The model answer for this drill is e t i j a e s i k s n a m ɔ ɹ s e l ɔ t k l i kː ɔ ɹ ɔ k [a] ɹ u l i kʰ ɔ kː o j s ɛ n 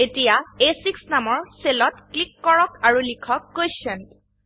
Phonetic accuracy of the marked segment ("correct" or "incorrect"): correct